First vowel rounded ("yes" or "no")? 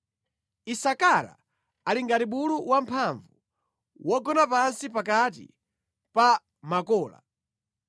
no